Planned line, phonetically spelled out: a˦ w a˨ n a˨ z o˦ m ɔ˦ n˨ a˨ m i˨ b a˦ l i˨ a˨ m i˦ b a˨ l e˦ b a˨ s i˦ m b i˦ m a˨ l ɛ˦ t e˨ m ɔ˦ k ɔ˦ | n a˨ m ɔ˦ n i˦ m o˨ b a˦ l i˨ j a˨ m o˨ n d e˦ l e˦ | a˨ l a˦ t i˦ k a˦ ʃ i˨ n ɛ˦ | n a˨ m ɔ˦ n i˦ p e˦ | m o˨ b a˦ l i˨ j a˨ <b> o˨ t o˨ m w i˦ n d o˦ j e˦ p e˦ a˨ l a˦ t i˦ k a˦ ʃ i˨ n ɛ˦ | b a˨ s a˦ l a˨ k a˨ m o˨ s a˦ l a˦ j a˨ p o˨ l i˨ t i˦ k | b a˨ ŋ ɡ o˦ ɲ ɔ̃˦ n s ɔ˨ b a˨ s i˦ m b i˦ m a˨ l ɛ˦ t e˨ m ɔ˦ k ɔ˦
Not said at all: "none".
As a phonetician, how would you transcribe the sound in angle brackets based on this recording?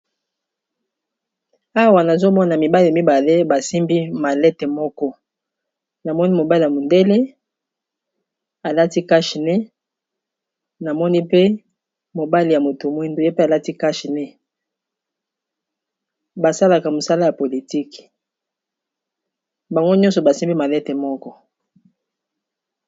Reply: m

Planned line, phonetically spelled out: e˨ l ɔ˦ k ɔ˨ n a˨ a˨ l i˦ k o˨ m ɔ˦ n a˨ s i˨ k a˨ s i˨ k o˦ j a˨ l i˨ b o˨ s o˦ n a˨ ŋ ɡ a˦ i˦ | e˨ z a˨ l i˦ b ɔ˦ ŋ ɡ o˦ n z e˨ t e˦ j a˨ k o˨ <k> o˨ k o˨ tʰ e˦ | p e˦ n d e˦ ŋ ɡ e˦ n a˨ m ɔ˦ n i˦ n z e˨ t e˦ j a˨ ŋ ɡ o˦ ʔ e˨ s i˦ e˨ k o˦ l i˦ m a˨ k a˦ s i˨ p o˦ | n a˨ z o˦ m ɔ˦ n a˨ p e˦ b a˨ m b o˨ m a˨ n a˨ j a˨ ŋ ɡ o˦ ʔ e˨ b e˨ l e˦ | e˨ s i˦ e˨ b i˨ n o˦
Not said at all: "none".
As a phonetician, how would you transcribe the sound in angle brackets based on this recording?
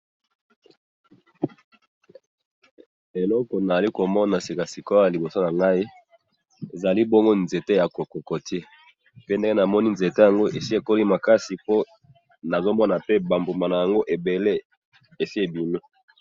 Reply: k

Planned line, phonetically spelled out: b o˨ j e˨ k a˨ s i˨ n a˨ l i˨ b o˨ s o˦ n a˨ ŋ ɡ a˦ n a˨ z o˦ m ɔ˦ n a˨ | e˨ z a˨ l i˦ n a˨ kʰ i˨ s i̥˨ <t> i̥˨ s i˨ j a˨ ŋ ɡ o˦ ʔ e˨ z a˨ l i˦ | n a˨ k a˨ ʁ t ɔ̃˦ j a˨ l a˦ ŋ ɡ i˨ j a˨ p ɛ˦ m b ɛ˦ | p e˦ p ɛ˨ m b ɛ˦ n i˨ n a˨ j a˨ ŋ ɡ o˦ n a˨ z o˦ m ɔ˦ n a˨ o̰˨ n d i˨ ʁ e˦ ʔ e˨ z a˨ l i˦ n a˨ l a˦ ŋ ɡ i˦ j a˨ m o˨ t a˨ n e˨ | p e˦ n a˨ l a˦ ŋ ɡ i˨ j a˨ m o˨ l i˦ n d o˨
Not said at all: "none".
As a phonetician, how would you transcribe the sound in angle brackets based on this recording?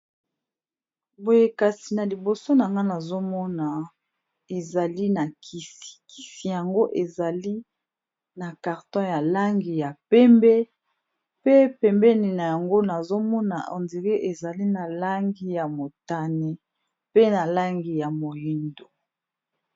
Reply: k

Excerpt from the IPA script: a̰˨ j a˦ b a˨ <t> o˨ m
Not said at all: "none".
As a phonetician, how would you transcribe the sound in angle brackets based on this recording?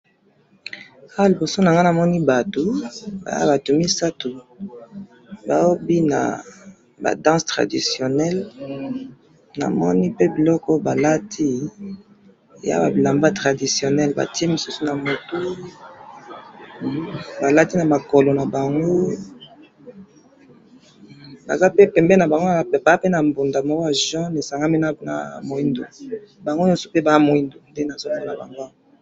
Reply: t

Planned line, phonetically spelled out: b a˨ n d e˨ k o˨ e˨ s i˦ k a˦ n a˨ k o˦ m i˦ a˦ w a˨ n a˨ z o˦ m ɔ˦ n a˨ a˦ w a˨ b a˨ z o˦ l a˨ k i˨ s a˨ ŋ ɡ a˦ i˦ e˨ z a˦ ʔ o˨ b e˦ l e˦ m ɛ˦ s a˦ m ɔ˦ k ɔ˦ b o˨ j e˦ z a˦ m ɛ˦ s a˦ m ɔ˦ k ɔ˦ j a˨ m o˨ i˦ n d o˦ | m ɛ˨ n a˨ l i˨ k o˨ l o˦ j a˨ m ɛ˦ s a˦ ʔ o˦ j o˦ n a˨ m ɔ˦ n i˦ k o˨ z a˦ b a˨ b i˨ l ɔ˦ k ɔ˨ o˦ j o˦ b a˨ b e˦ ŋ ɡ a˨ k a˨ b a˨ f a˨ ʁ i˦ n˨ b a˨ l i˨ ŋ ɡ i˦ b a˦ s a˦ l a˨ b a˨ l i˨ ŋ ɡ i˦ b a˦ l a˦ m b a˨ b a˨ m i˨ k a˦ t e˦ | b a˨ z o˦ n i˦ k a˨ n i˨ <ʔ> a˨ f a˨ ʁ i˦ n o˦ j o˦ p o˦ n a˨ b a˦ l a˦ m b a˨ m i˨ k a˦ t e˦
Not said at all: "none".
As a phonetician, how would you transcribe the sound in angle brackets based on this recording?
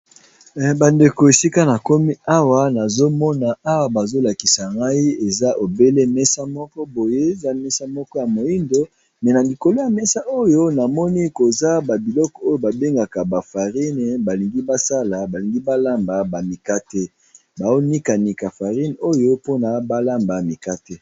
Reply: k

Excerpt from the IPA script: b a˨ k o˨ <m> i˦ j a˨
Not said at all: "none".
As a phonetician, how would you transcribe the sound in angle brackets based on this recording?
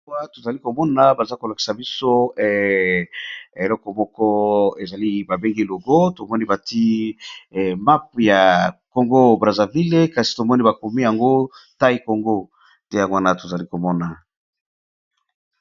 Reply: m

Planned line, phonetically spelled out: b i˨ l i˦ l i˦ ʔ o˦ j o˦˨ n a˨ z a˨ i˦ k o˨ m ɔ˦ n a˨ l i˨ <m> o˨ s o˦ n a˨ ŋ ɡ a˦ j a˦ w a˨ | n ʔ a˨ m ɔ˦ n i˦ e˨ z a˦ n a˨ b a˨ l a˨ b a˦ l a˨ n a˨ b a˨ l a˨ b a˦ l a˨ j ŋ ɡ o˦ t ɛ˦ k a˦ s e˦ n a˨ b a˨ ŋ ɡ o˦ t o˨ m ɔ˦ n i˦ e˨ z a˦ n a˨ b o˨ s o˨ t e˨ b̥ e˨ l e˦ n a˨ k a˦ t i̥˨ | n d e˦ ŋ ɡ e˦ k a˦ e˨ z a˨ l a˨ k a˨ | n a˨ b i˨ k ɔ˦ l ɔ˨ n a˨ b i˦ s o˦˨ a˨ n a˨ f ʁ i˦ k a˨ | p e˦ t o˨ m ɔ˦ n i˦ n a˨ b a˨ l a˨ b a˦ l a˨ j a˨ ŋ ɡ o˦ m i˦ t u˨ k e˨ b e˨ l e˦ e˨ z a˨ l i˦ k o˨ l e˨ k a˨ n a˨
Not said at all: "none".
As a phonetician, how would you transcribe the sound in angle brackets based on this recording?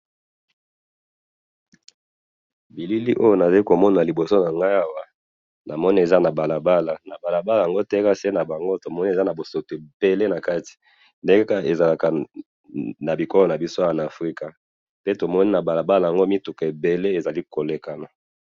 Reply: b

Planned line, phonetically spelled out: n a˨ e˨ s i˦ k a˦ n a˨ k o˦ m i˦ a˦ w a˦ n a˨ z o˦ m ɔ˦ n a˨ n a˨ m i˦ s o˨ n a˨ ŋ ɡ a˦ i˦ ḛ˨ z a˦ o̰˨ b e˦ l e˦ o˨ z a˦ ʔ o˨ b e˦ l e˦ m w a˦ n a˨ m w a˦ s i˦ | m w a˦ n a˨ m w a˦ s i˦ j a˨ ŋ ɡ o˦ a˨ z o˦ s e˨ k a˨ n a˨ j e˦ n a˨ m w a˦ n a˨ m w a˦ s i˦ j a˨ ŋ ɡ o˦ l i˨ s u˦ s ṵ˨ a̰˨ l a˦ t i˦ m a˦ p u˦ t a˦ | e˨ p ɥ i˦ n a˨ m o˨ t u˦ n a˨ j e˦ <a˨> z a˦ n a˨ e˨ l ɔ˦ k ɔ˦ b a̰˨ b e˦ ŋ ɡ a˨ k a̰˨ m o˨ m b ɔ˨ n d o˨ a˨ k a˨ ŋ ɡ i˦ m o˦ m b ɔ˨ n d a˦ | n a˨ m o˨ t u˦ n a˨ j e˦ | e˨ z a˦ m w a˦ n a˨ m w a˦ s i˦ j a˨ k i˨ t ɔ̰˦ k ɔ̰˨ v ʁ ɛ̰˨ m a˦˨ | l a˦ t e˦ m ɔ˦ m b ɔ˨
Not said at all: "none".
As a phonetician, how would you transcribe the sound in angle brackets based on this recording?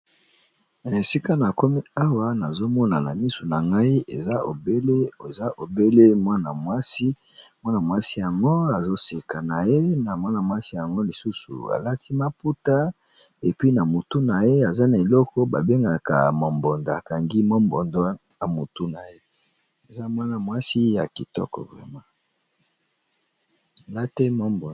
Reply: a˨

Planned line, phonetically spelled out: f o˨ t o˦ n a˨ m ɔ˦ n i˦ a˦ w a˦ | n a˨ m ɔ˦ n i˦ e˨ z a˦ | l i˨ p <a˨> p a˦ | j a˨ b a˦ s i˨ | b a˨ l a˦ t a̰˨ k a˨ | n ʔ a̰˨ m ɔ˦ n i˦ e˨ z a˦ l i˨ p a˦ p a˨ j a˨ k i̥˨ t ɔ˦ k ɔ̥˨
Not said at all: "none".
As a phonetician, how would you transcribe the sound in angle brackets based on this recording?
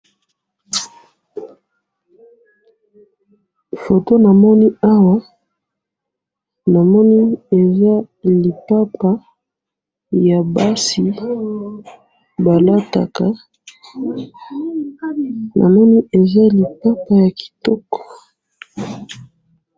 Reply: a˦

